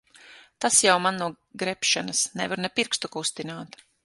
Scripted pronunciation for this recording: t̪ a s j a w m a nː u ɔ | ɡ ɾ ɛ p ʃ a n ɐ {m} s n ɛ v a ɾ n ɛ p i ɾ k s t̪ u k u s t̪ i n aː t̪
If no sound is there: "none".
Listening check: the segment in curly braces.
none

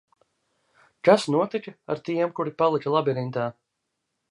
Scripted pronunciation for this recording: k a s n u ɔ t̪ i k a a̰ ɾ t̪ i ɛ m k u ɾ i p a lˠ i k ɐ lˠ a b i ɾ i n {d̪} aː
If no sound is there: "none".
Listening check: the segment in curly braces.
t̪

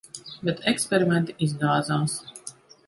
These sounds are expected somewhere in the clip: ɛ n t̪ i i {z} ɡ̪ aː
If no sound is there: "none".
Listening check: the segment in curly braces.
z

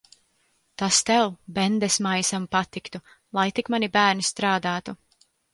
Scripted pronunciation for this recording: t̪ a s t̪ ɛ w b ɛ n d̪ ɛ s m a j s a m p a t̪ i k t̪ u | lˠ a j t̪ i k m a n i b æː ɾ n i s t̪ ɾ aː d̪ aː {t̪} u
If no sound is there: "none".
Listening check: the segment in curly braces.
t̪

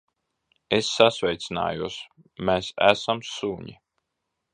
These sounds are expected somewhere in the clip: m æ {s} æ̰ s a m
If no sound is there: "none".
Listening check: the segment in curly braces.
s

